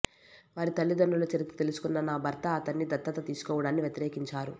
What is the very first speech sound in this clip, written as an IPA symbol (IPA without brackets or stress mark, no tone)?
ʋ